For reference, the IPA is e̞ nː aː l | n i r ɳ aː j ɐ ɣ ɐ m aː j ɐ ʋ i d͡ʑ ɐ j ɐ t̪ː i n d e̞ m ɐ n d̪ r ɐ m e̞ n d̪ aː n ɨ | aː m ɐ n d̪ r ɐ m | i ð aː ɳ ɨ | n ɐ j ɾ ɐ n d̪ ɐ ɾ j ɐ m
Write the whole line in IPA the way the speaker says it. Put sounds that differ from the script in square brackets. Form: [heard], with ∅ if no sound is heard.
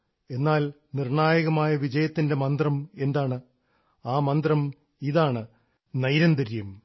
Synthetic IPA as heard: e̞ nː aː l | n i r ɳ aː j ɐ ɣ ɐ m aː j ɐ ʋ i d͡ʑ ɐ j ɐ t̪ː i n d e̞ m ɐ n d̪ r ɐ m e̞ n d̪ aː [ɳ] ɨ | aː m ɐ n d̪ r ɐ m | i ð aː ɳ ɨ | n ɐ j ɾ ɐ n d̪ ɐ ɾ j ɐ m